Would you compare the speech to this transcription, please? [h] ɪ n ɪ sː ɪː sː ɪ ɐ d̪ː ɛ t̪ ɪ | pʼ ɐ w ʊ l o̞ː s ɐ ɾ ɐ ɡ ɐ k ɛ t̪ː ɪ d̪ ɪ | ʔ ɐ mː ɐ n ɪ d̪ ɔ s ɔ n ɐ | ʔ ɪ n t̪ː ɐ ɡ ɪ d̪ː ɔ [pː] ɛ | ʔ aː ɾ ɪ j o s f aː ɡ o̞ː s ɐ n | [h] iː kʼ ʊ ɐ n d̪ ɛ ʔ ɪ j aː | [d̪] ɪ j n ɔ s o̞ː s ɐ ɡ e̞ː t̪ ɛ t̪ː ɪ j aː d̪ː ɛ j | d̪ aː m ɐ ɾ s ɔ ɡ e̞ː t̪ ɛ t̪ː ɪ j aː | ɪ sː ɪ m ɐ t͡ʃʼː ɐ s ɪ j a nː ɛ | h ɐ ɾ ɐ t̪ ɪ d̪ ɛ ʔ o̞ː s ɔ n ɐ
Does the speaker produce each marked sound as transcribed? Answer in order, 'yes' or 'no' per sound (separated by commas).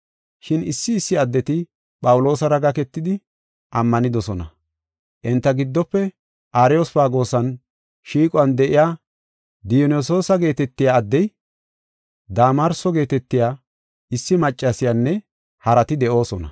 no, yes, no, yes